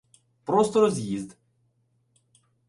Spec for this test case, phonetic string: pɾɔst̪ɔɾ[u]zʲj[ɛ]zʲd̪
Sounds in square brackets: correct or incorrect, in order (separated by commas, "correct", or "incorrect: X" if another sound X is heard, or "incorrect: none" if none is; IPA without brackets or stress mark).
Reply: incorrect: ɔ, incorrect: i